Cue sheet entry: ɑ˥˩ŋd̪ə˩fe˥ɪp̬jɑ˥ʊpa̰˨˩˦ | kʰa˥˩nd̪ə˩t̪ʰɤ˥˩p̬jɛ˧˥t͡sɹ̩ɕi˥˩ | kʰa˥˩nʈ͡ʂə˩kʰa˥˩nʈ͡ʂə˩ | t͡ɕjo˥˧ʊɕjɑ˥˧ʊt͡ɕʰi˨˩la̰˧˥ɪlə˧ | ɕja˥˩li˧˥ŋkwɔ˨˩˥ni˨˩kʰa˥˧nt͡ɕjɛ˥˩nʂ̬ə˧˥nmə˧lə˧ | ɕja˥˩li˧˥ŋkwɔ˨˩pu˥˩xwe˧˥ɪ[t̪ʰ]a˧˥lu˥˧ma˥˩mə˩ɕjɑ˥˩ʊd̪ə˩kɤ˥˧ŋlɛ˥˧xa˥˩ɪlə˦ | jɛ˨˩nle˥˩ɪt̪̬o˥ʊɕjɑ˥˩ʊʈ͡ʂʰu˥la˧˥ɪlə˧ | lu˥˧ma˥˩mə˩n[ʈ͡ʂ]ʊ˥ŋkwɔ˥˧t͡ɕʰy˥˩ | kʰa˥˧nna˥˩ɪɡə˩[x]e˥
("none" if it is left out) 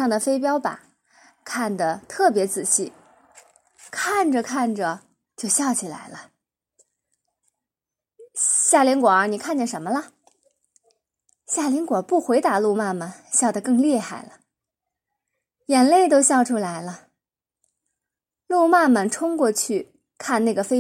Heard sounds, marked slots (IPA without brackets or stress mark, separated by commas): t̪, ʈ͡ʂʰ, f